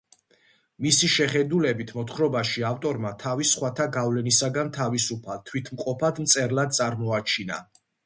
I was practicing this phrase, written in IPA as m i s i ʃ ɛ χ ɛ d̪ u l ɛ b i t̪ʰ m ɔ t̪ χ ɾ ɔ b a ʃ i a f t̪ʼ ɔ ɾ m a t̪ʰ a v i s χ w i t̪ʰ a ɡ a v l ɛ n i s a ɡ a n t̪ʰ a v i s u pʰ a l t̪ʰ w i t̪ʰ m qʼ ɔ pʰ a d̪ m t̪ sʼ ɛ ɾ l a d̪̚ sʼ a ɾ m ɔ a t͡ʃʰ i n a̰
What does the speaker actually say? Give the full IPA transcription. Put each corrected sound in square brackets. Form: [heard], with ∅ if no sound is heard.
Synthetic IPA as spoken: m i s i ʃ ɛ χ ɛ d̪ u l ɛ b i t̪ʰ m ɔ t̪ χ ɾ ɔ b a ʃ i a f t̪ʼ ɔ ɾ m a t̪ʰ a v i s χ w [a] t̪ʰ a ɡ a v l ɛ n i s a ɡ a n t̪ʰ a v i s u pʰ a l t̪ʰ w i t̪ʰ m qʼ ɔ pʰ a d̪ m t̪ sʼ ɛ ɾ l a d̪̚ sʼ a ɾ m ɔ a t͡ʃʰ i n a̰